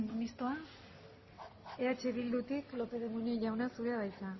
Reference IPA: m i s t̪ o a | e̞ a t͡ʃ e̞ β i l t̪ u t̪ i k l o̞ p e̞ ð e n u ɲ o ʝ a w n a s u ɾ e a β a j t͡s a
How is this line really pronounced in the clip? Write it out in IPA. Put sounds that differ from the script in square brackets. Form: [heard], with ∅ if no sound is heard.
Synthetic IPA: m i s t̪ o a | e̞ a t͡ʃ e̞ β i l [d̪] u t̪ i k l o̞ p e̞ ð e [m] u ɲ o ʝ a w n a s u ɾ e a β a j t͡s a